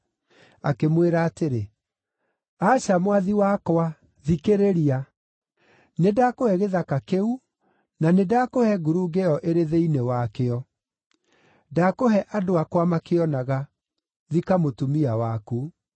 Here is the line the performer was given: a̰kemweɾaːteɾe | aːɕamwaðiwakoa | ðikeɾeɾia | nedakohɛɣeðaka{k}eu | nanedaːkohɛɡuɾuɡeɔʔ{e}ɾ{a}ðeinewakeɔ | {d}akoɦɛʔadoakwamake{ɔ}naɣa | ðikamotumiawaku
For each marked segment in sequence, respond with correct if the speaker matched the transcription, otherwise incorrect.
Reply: correct, correct, incorrect, correct, correct

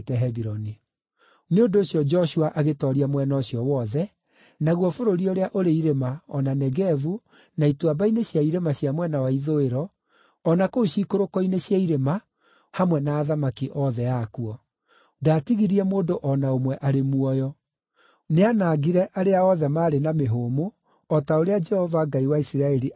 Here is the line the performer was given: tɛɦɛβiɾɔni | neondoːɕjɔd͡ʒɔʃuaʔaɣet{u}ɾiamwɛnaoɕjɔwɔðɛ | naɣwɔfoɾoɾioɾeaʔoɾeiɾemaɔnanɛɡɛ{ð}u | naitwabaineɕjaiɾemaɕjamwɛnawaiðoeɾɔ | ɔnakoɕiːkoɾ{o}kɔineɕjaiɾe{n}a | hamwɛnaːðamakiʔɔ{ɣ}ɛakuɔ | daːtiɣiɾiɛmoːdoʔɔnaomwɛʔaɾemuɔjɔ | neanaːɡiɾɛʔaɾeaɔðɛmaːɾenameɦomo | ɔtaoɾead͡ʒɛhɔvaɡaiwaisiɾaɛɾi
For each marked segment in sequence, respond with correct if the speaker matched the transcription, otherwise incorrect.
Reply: incorrect, incorrect, correct, incorrect, incorrect

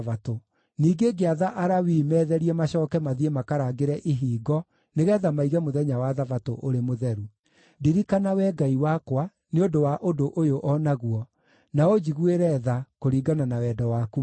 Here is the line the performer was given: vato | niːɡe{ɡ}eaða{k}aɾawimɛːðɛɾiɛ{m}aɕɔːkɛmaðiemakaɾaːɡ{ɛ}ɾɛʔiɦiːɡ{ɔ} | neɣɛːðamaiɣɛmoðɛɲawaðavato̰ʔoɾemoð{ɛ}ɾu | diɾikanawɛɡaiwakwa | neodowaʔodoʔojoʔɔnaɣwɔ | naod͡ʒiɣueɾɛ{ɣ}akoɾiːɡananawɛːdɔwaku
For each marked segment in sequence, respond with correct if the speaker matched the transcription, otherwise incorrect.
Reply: correct, incorrect, correct, incorrect, correct, correct, incorrect

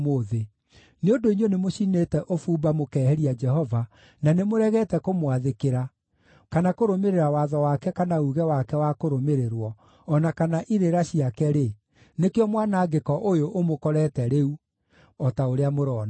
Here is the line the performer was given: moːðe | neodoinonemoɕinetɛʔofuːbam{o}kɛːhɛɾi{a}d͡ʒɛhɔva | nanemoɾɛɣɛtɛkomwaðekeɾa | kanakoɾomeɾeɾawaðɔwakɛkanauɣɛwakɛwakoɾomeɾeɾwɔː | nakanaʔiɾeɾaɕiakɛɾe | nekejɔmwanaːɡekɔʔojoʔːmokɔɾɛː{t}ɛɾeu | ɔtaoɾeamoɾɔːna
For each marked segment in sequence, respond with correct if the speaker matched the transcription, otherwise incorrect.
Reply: correct, correct, correct

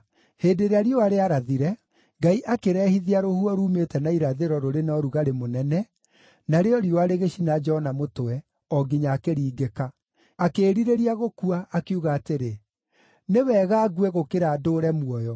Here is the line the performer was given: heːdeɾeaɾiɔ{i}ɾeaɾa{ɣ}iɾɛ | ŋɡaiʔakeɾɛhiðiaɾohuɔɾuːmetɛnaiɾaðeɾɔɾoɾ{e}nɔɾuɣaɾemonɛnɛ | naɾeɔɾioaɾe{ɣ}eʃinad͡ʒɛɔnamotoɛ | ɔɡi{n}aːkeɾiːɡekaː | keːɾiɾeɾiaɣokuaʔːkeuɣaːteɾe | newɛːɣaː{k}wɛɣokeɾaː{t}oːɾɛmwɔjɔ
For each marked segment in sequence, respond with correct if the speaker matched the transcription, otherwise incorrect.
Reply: incorrect, incorrect, correct, correct, incorrect, incorrect, incorrect

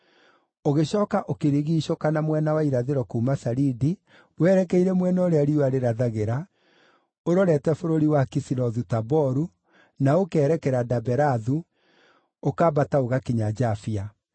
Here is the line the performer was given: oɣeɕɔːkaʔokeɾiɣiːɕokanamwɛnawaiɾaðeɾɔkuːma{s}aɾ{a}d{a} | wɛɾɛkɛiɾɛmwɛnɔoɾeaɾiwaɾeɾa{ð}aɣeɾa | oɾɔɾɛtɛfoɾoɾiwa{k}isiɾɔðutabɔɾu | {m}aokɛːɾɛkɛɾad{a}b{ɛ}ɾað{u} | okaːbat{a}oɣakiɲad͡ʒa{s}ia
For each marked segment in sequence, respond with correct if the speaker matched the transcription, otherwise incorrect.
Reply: correct, incorrect, incorrect, correct, correct, incorrect, correct, correct, correct, correct, incorrect

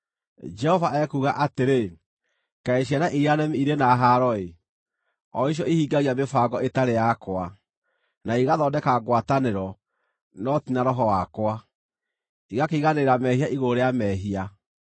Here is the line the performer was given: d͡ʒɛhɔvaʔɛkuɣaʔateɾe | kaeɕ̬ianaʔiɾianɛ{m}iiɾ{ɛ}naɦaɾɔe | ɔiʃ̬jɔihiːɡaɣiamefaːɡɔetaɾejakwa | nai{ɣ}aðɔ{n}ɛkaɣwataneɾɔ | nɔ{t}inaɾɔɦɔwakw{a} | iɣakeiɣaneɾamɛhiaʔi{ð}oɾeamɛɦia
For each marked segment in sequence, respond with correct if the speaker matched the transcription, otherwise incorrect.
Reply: correct, incorrect, correct, incorrect, correct, correct, incorrect

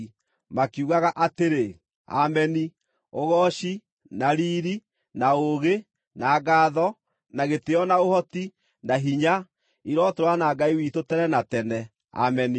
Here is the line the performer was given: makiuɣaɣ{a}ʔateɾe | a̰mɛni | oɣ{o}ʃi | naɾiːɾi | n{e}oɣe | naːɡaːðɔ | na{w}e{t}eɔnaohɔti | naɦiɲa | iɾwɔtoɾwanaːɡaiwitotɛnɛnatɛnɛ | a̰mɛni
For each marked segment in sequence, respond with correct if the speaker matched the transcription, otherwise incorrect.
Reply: correct, incorrect, incorrect, incorrect, correct

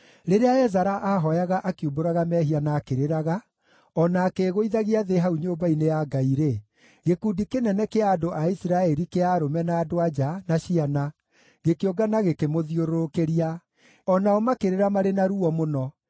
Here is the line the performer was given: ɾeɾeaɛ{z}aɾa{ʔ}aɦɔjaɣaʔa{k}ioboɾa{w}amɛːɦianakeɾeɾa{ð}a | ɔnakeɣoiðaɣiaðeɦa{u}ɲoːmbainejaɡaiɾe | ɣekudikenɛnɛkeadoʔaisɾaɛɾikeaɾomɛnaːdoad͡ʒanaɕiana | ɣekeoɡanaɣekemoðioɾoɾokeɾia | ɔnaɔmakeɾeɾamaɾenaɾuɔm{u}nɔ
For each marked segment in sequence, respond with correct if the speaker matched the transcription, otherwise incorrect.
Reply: correct, correct, correct, incorrect, incorrect, correct, incorrect

